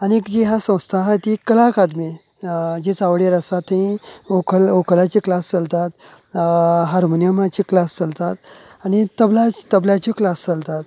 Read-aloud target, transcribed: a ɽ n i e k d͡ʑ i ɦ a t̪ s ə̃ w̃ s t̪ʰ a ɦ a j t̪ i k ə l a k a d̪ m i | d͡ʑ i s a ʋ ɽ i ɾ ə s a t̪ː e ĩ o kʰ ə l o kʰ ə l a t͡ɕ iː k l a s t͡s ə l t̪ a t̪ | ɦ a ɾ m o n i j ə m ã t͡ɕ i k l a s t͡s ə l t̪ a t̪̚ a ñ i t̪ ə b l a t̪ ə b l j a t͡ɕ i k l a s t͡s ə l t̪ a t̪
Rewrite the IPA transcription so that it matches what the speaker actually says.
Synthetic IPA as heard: a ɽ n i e k d͡ʑ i ɦ a s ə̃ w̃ s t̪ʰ a ɦ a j t̪ i k ə l a k a d̪ m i | d͡ʑ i t͡s a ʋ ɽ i ɾ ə s a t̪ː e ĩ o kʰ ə l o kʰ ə l a t͡ɕ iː k l a s t͡s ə l t̪ a t̪ | ɦ a ɾ m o n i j ə m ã t͡ɕ i k l a s t͡s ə l t̪ a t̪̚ a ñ i t̪ ə b l a t̪ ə b l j a t͡ɕ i k l a s t͡s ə l t̪ a t̪